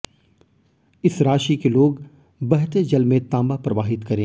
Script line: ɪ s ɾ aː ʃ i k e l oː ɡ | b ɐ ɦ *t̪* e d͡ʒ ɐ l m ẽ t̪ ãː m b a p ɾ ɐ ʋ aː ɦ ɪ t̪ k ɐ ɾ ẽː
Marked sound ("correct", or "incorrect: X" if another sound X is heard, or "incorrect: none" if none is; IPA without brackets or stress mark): correct